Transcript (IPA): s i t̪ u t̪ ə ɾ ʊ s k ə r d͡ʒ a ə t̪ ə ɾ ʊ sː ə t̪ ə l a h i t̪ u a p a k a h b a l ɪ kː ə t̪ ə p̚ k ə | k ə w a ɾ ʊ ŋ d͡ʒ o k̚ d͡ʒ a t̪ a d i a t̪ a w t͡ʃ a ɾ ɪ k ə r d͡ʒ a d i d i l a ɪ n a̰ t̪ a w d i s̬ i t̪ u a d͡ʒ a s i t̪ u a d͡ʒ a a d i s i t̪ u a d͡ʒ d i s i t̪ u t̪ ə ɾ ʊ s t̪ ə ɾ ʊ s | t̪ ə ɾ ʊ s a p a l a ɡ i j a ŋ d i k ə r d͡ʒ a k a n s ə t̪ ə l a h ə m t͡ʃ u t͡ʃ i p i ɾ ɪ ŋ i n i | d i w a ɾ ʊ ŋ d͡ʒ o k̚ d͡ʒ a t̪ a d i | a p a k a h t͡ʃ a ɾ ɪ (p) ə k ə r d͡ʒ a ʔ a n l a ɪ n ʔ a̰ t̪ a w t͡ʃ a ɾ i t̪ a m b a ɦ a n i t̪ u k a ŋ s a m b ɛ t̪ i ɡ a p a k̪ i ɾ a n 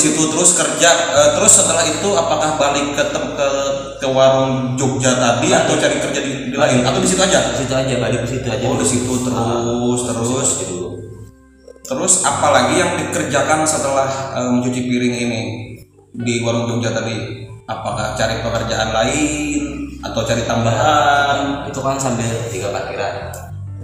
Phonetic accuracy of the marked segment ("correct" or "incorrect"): correct